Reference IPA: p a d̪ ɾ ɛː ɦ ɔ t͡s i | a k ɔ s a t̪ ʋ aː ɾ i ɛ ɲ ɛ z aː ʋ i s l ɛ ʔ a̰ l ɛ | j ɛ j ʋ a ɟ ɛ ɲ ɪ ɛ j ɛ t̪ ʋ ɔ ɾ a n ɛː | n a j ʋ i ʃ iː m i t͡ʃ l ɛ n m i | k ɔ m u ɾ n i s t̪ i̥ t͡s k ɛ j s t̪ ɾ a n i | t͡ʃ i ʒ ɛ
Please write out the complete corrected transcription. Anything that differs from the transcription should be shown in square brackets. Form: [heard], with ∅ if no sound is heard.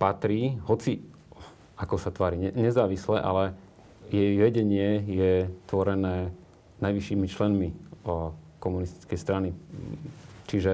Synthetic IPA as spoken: p a [t̪] ɾ [iː] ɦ ɔ t͡s i | a k ɔ s a t̪ ʋ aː ɾ i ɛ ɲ ɛ z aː ʋ i s l ɛ ʔ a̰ l ɛ | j ɛ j ʋ [ɛ] ɟ ɛ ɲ ɪ ɛ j ɛ t̪ ʋ ɔ ɾ [ɛ] n ɛː | n a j ʋ i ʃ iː m i t͡ʃ l ɛ n m i | k ɔ m u [∅] n i s t̪ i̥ t͡s k ɛ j s t̪ ɾ a n i | t͡ʃ i ʒ ɛ